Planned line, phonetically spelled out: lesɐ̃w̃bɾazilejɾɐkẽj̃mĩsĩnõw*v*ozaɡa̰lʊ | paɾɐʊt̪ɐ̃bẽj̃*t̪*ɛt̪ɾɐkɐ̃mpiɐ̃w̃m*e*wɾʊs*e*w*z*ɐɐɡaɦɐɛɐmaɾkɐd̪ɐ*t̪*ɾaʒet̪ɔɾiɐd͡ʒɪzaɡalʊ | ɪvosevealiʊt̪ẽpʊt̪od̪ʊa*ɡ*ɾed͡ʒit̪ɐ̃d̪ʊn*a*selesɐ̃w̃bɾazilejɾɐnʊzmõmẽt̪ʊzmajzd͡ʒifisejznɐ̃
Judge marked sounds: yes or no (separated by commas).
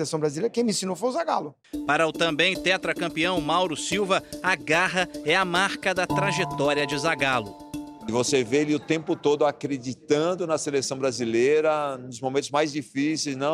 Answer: no, yes, no, no, no, yes, no, no